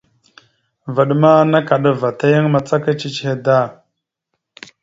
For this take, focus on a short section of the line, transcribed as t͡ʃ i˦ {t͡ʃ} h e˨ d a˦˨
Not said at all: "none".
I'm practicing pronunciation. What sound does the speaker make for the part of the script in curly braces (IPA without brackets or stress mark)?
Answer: t͡ʃ